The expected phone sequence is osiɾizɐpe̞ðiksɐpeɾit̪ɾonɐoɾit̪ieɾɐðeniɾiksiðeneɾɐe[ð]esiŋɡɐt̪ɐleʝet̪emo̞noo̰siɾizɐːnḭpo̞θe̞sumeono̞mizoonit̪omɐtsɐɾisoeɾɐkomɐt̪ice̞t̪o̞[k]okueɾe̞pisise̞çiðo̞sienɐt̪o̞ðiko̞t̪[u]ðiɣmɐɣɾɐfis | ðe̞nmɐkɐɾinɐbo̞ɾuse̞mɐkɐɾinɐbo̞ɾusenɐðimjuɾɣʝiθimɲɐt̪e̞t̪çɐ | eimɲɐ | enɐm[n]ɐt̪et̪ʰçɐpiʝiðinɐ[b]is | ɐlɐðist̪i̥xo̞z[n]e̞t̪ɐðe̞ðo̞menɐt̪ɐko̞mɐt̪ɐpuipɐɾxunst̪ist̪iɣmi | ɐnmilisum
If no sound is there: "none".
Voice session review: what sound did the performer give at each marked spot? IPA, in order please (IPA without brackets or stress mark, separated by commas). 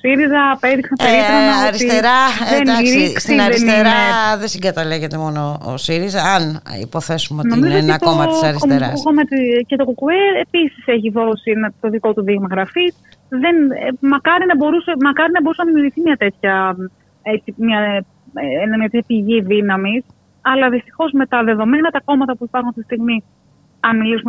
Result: ð, k, u, ɲ, m, m